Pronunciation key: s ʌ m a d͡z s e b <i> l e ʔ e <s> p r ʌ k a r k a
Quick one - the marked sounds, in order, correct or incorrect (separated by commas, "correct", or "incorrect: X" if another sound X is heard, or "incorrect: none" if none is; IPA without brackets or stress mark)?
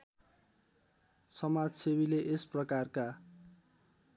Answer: correct, correct